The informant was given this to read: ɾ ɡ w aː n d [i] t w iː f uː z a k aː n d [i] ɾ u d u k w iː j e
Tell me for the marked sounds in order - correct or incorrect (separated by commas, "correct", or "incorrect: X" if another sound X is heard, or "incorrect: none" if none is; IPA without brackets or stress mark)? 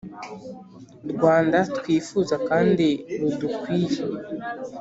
incorrect: a, correct